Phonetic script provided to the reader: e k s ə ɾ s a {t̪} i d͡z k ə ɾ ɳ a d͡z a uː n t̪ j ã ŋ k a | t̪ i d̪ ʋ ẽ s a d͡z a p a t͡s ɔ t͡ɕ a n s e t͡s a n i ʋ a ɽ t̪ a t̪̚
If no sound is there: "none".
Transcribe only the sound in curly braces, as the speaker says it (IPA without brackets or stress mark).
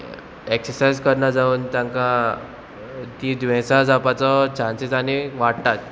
none